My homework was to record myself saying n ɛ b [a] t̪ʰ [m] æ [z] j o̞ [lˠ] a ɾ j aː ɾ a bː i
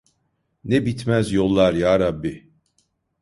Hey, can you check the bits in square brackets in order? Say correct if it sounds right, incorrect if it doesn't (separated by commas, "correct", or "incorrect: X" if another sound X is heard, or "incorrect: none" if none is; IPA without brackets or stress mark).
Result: incorrect: i, correct, correct, incorrect: lˠː